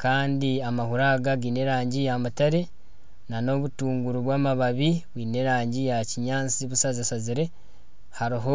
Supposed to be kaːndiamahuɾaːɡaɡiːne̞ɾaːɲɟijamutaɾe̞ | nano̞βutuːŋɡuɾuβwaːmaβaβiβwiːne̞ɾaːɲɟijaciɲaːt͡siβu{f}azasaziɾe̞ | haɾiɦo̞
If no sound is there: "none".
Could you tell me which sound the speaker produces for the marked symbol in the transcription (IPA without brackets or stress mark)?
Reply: s